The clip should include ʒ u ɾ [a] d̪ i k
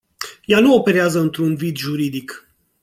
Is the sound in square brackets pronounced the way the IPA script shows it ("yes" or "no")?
no